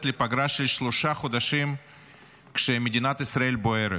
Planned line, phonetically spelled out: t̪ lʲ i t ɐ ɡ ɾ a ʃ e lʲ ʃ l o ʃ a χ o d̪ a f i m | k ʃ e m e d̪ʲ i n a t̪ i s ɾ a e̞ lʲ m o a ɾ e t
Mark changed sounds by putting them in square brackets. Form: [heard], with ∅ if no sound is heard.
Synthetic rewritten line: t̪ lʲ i [p] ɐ ɡ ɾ a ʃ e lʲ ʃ l o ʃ a χ o d̪ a [ʃ] i m | k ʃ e m e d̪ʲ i n a t̪ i s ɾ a e̞ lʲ [b] o [e] ɾ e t